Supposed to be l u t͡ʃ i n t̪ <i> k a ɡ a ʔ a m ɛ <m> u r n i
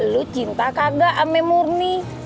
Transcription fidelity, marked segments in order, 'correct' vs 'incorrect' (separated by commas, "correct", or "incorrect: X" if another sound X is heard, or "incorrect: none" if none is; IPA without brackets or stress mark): incorrect: a, correct